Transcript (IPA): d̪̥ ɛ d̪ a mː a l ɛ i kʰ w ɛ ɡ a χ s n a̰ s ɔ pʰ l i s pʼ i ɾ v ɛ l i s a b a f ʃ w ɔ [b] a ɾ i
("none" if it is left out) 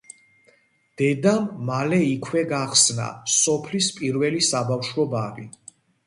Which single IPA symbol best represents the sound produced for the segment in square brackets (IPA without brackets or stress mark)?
b